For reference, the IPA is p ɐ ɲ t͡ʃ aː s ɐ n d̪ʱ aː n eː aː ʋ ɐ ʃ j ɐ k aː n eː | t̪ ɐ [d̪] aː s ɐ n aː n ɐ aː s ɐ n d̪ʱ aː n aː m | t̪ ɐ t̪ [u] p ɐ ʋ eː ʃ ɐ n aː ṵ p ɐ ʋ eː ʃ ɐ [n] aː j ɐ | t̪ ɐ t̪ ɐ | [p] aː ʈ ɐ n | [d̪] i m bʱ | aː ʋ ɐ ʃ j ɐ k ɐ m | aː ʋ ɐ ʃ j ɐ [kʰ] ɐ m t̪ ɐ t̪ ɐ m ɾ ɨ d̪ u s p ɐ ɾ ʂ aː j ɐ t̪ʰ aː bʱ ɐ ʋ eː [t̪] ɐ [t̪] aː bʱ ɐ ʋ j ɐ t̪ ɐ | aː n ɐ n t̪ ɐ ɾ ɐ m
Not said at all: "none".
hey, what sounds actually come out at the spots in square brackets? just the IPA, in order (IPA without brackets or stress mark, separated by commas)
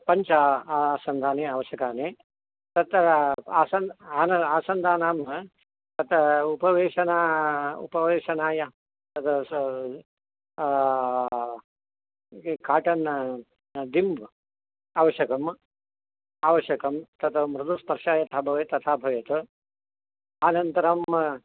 t̪, u, n, k, d̪, k, t̪, t̪ʰ